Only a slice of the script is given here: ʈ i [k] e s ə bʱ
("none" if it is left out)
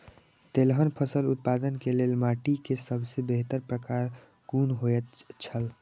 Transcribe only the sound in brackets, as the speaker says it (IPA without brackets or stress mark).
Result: k